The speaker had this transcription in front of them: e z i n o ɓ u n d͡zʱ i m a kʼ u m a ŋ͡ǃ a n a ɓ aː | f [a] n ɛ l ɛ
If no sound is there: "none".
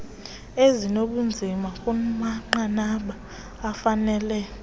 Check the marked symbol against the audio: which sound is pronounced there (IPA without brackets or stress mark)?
a